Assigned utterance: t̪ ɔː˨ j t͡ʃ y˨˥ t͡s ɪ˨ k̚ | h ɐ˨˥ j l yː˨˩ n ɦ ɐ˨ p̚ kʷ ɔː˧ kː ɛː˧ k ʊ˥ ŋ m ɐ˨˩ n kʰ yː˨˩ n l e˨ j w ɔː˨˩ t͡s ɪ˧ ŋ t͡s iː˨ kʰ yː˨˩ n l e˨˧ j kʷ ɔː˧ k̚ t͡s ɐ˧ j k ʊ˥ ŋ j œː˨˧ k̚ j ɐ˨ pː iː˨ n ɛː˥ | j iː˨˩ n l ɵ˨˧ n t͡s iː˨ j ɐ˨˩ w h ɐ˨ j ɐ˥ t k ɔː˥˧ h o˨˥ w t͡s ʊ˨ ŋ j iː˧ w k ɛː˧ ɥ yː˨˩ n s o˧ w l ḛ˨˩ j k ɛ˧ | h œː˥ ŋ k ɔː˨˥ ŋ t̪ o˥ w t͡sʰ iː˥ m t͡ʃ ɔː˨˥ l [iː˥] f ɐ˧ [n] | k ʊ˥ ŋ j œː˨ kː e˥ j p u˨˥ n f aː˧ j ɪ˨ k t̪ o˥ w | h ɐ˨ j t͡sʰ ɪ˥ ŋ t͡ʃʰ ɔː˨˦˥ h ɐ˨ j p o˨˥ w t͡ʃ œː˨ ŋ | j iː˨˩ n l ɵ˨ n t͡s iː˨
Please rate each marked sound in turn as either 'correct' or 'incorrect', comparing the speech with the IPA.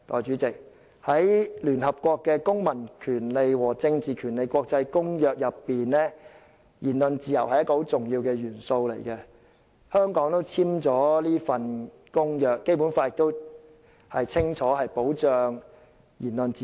correct, correct

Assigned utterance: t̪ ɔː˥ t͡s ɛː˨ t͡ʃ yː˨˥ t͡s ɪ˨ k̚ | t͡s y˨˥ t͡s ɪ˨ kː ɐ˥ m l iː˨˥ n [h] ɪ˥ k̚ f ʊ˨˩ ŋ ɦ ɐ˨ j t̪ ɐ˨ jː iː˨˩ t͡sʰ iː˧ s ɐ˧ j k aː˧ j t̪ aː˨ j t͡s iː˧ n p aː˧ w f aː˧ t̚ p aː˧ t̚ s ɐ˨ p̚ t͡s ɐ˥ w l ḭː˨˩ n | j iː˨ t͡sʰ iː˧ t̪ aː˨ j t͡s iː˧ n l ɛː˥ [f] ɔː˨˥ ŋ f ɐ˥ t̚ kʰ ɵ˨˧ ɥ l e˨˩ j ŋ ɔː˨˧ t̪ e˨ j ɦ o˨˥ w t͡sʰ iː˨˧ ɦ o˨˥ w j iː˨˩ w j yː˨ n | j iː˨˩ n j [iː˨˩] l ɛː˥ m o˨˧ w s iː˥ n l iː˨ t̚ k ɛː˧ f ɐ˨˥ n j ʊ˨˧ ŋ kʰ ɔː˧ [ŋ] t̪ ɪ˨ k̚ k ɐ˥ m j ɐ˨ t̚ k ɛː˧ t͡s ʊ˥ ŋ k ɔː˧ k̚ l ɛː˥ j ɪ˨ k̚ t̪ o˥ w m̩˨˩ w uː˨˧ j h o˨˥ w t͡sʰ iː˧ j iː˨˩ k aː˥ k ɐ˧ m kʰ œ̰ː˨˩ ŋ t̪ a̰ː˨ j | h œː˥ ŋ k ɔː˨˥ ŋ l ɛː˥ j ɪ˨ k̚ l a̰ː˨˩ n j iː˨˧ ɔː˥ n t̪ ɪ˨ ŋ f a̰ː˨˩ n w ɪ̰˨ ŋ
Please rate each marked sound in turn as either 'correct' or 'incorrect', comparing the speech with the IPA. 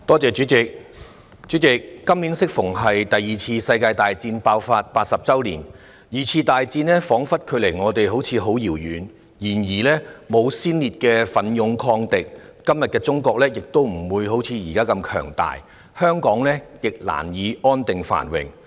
incorrect: s, correct, correct, correct

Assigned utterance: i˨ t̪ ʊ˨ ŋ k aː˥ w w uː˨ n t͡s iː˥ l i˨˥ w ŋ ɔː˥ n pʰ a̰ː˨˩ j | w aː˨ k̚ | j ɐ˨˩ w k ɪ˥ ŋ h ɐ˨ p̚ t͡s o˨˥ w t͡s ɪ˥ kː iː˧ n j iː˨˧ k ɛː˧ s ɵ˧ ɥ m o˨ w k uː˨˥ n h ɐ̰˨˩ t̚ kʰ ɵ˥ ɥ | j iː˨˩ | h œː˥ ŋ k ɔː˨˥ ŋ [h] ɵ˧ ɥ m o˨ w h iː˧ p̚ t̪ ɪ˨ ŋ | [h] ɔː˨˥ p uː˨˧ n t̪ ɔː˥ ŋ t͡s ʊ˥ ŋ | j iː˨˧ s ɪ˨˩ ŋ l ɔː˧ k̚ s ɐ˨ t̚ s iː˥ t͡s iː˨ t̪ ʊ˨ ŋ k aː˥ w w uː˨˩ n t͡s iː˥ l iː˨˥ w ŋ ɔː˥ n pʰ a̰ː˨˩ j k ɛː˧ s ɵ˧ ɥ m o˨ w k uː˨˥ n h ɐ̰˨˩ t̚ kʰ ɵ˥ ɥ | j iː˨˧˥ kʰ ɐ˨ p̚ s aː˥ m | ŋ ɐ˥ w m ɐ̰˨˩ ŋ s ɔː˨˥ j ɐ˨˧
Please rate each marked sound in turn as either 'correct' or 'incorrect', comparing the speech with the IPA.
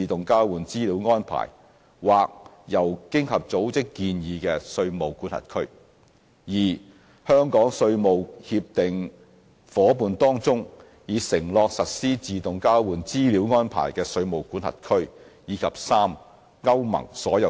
incorrect: s, incorrect: f

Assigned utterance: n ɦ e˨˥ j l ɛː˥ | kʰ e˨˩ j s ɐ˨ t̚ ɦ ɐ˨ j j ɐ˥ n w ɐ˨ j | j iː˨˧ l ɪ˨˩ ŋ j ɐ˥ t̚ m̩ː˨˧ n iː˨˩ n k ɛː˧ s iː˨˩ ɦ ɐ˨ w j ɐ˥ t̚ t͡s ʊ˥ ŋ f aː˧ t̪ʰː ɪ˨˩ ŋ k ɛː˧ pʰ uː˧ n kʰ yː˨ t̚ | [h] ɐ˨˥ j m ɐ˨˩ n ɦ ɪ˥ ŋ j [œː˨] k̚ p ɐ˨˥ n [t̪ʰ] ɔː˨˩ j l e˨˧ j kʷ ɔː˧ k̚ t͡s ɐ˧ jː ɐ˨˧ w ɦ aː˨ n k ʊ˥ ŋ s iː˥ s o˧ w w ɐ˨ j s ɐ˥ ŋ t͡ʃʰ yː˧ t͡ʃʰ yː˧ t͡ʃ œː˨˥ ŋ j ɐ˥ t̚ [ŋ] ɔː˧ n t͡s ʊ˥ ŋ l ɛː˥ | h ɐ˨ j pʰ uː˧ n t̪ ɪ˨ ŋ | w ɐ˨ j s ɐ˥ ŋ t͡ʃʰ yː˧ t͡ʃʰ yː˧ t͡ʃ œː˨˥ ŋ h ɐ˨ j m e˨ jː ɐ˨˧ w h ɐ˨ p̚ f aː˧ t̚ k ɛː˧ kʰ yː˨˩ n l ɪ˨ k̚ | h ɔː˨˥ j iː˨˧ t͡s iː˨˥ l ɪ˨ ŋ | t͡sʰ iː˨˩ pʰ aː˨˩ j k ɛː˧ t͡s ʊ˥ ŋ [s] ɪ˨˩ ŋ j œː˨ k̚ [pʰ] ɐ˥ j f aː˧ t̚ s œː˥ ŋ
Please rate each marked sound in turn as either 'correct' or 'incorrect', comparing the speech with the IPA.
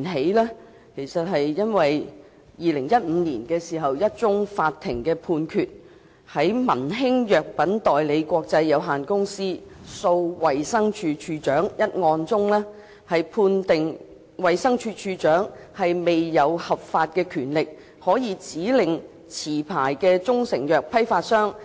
correct, correct, incorrect: t̪, correct, correct, correct

